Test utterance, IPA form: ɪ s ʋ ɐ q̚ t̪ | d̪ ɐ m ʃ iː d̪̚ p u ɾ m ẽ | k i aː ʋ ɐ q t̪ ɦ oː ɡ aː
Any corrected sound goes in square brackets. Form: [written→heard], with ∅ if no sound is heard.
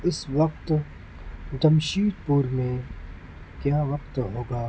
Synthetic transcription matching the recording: ɪ s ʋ ɐ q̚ t̪ | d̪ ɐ m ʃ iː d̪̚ p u ɾ m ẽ | k [i→j] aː ʋ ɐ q t̪ ɦ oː ɡ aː

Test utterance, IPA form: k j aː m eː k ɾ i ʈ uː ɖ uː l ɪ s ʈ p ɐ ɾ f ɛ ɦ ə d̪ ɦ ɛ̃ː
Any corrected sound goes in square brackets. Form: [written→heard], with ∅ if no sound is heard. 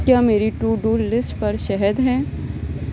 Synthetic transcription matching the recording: k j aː m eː [k→∅] ɾ i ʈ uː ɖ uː l ɪ s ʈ p ɐ ɾ [f→ʃ] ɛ ɦ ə d̪ ɦ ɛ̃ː

